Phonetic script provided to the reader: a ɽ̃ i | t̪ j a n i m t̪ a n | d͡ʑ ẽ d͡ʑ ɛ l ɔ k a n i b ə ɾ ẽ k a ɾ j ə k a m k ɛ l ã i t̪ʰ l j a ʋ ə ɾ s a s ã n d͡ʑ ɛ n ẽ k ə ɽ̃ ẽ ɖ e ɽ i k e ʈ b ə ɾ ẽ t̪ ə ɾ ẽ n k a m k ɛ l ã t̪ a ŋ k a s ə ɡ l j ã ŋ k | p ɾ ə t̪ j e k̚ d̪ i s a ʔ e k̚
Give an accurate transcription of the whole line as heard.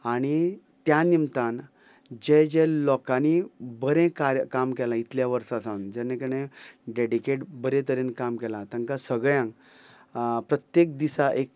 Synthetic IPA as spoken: a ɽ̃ i | t̪ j a n i m t̪ a n | d͡ʑ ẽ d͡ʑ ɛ l ɔ k a n i b ə ɾ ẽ k a ɾ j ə k a m k ɛ l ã i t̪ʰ l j a ʋ ə ɾ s a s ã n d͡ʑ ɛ n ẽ k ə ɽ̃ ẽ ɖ e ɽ i k e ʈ b ə ɾ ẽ t̪ ə ɾ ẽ n k a m k ɛ l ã t̪ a ŋ k a s ə ɡ ɭ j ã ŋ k | p ɾ ə t̪ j e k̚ d̪ i s a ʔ e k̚

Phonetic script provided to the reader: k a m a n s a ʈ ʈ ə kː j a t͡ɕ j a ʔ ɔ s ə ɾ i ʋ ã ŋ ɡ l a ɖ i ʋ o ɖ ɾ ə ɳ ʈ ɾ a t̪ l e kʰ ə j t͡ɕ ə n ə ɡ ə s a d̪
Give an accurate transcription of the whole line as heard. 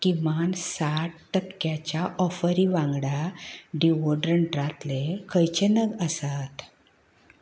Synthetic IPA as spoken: k i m a n s a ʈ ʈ ə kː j a t͡ɕ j a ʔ ɔ f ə ɾ i ʋ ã ŋ ɡ ɽ a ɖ i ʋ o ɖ ɾ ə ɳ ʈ ɾ a t̪ l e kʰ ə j t͡ɕ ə n ə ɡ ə s a t̪

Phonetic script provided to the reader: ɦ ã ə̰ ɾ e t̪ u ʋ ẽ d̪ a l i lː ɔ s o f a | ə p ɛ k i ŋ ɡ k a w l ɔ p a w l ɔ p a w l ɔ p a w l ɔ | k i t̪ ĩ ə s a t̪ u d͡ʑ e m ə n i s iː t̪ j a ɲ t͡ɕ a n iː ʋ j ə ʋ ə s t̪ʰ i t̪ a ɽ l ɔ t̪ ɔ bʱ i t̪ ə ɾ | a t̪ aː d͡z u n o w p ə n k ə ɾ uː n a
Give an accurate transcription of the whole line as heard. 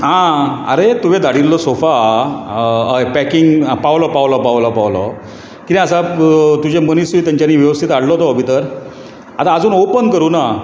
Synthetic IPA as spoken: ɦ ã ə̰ ɾ e t̪ u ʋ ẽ d̪ a ɽ i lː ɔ s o f a | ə p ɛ k i ŋ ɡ p a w l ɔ p a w l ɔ p a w l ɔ p a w l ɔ | k i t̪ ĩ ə s a t̪ u d͡ʑ e m ə n i s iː t̪ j a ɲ t͡ɕ a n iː ʋ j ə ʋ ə s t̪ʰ i t̪ a ɽ l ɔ t̪ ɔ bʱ i t̪ ə ɾ | a t̪ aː d͡z uː n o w p ə n k ə ɾ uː n a

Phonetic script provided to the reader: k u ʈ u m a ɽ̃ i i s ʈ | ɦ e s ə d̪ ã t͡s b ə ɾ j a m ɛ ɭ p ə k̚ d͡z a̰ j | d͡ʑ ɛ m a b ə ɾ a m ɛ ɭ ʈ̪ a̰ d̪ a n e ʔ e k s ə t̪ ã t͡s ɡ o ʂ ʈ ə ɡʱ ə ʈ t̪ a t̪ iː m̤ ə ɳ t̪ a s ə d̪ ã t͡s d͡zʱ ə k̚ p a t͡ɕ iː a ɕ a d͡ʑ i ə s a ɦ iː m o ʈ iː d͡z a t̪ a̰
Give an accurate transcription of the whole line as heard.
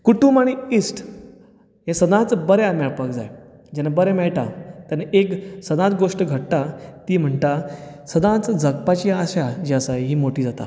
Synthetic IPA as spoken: k u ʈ u m a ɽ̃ i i s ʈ | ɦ e s ə d̪ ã t͡s b ə ɾ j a m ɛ ɭ p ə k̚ d͡z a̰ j | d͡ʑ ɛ n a b ə ɾ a m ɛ ɭ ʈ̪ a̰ t̪ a n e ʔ e k s ə d̪ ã t͡s ɡ o ʂ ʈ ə ɡʱ ə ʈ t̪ a t̪ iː m̤ ə ɳ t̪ a s ə d̪ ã t͡s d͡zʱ ə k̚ p a t͡ɕ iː a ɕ a d͡ʑ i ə s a ɦ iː m o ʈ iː d͡z a t̪ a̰

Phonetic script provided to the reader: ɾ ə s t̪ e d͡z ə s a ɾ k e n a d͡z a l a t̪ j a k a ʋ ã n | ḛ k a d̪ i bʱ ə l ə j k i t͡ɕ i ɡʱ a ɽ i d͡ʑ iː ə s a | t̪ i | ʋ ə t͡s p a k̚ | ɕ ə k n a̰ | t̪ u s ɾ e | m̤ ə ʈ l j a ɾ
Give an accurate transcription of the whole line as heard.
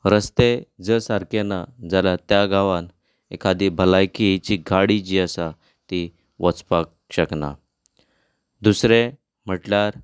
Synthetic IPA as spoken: ɾ ə s t̪ e d͡z ə s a ɾ k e n a d͡z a l a t̪ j a ɡ a ʋ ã n | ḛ k a d̪ i bʱ ə l a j k i t͡ɕ i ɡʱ a ɽ i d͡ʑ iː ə s a | t̪ i | ʋ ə t͡s p a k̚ | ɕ ə k n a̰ | d̪ u s ɾ e | m̤ ə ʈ l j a ɾ

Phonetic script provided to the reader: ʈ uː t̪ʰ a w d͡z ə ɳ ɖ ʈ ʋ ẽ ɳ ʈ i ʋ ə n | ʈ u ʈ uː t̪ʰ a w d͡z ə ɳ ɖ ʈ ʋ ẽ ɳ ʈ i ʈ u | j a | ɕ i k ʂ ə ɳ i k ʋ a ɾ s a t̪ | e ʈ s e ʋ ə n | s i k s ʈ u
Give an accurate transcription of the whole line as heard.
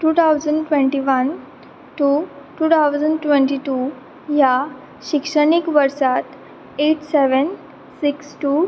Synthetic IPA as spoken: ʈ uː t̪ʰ a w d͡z ə ɳ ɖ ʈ ʋ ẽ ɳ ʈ i ʋ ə n | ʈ u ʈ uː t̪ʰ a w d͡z ə ɳ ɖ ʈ ʋ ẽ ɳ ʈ i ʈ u | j a | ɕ i k ʂ ə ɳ i k ʋ ə ɾ s a t̪ | e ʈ s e ʋ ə n | s i k s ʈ u

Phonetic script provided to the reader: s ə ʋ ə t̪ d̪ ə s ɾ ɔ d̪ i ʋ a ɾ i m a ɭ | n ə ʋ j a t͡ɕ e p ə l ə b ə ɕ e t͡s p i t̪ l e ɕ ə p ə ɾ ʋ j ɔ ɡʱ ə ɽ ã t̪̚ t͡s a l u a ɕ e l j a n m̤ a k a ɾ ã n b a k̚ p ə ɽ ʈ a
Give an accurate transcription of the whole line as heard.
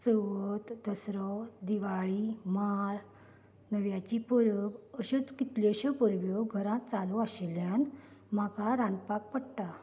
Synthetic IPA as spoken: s ə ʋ ə t̪ d̪ ə s ɾ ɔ d̪ i ʋ a ɭ i m a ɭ | n ə ʋ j a t͡ɕ i p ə ɾ ə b ə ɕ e t͡s k i t̪ l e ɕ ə p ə ɾ ʋ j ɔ ɡʱ ə ɾ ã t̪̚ t͡s a l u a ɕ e l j a n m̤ a k a ɾ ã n p a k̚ p ə ɽ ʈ a

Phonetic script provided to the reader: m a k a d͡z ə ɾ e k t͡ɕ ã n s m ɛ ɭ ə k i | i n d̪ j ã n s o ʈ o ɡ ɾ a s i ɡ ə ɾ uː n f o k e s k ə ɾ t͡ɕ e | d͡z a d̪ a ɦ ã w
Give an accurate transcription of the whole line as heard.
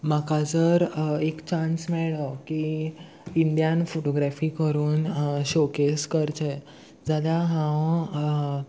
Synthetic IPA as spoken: m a k a d͡z ə ɾ e k t͡ɕ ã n s m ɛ ɭ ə k i | i n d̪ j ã n f o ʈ o ɡ ɾ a f i k ə ɾ uː n ɕ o k e s k ə ɾ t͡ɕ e | d͡z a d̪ a ɦ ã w

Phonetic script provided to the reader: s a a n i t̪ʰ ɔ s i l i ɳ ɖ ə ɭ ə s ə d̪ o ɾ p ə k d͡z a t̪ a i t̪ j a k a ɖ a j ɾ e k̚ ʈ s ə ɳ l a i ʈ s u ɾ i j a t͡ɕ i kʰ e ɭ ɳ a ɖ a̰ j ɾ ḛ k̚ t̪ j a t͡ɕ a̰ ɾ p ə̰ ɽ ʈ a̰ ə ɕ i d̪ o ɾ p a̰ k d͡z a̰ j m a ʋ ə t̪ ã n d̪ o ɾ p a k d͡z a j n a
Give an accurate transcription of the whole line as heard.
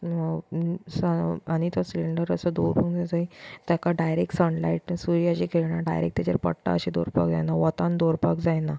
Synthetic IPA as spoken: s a a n i t̪ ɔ s i l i ɳ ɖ ə ɾ ə s ə d̪ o ɾ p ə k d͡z a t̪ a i t̪ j a k a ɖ a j ɾ e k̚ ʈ s ə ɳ l a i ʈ s u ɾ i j a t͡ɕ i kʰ e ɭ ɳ a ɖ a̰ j ɾ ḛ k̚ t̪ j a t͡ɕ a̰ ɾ p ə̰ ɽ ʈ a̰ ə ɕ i d̪ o ɾ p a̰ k d͡z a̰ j n a ʋ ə t̪ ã n d̪ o ɾ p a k d͡z a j n a

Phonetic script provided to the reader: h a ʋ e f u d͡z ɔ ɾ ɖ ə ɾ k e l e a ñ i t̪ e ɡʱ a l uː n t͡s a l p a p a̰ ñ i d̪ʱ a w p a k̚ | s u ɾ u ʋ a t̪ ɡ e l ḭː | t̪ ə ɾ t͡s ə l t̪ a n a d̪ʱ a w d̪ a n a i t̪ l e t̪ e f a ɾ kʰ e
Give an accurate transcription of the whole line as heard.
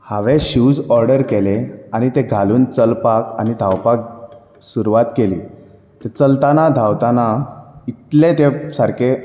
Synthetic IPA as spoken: h a ʋ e ɕ u d͡z ɔ ɾ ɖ ə ɾ k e l e a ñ i t̪ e ɡʱ a l uː n t͡s ə l p a k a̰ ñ i d̪ʱ a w p a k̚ | s u ɾ u ʋ a t̪ k e l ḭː | t̪ ə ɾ t͡s ə l t̪ a n a d̪ʱ a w t̪ a n a i t̪ l e t̪ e s a ɾ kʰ e

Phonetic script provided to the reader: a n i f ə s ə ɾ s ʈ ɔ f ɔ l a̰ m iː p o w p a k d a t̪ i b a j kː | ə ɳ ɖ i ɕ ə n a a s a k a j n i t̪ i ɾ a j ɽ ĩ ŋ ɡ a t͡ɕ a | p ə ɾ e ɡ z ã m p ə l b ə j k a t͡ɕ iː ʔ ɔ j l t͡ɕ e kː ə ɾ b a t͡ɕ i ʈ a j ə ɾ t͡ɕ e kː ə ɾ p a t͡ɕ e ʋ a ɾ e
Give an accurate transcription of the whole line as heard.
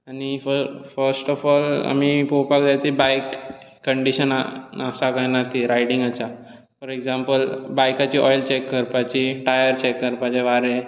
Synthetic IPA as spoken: a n i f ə f ə ɾ s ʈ ɔ f ɔ l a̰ m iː p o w p a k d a t̪ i b a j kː | ə ɳ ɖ i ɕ ə n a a s a k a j n a t̪ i ɾ a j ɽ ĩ ŋ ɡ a t͡ɕ a | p ə ɾ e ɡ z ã m p ə l b a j k a t͡ɕ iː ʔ ɔ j l t͡ɕ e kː ə ɾ p a t͡ɕ i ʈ a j ə ɾ t͡ɕ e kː ə ɾ p a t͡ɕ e ʋ a ɾ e

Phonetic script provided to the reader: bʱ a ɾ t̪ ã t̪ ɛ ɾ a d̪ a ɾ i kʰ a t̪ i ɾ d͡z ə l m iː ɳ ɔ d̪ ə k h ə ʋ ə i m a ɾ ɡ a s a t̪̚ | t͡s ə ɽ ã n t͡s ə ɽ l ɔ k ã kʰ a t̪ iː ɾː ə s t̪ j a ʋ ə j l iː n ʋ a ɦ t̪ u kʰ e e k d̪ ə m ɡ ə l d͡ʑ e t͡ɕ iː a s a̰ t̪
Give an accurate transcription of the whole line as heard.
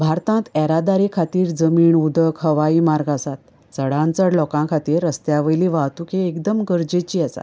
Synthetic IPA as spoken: bʱ a ɾ t̪ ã t̪ ɛ ɾ a d̪ a ɾ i kʰ a t̪ iː ɾ d͡z ə m iː ɳ u d̪ ə k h ə ʋ a i m a ɾ ɡ a s a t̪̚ | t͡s ə ɽ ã n t͡s ə ɽ l ɔ k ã kʰ a t̪ iː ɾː ə s t̪ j a ʋ ə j l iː ʋ a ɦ t̪ u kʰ e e k d̪ ə m ɡ ə ɾ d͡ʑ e t͡ɕ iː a s a̰ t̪

